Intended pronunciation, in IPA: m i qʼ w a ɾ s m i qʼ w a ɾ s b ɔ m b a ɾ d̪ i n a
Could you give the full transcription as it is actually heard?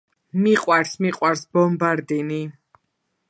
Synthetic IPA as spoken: m i qʼ w a ɾ s m i qʼ w a ɾ s b ɔ m b a ɾ d̪ i n i